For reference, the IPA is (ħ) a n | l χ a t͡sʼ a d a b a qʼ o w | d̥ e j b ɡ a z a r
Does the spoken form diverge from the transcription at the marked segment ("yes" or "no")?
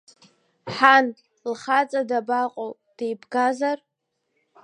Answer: no